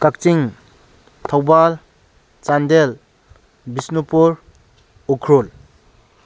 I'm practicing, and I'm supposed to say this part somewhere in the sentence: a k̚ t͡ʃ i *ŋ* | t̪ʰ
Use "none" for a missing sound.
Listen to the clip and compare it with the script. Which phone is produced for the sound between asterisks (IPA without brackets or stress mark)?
ŋ